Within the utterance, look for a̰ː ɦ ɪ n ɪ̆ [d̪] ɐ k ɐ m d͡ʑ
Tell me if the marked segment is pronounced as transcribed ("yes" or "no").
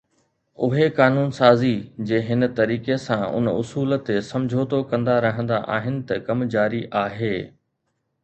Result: no